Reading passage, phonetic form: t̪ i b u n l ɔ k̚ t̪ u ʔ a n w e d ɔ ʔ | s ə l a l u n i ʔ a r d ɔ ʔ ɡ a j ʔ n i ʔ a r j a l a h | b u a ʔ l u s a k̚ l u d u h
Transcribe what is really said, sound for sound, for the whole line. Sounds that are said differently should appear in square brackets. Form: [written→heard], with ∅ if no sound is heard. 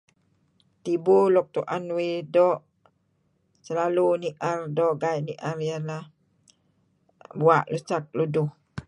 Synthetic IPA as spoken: t̪ i b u [n→∅] l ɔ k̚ t̪ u ʔ a n w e d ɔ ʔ | s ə l a l u n i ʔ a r d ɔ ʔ ɡ a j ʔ n i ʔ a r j a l a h | b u a ʔ l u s a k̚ l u d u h